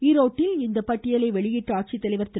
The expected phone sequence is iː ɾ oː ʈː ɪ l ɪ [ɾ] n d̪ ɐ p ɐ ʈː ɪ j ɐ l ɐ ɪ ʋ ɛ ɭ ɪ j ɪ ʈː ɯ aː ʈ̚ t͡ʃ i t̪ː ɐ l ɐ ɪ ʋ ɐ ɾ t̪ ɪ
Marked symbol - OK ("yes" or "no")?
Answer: no